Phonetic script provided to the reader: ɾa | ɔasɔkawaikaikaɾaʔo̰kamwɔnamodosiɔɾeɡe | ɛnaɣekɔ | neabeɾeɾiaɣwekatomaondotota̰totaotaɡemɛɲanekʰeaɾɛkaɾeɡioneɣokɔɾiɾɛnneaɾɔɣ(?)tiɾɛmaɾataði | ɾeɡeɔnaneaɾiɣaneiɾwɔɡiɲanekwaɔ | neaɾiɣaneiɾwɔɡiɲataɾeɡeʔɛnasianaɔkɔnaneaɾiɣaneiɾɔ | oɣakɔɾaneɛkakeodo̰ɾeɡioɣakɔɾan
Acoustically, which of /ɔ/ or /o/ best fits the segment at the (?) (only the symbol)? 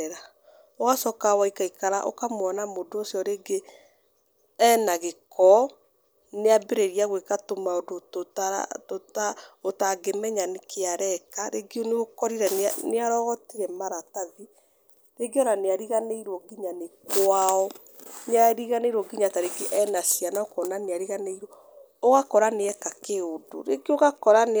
ɔ